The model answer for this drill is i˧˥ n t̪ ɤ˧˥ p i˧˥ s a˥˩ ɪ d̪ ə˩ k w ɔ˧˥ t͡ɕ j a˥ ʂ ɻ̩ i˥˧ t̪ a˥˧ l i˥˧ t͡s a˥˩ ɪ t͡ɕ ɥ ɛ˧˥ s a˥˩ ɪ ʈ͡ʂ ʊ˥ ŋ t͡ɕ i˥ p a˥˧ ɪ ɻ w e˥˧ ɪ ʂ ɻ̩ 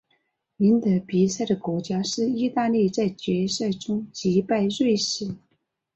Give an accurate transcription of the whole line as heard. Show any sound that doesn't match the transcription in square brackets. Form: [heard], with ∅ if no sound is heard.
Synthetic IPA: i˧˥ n t̪ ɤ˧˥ p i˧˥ s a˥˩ ɪ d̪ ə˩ k w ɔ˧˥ t͡ɕ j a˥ ʂ ɻ̩ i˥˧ t̪ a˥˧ l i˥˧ t͡s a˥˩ ɪ t͡ɕ ɥ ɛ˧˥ s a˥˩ ɪ ʈ͡ʂ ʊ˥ ŋ t͡ɕ [i˧˥] p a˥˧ ɪ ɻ w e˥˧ ɪ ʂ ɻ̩